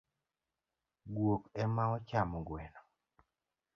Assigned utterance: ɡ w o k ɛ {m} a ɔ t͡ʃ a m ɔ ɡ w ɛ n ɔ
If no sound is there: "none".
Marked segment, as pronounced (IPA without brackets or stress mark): m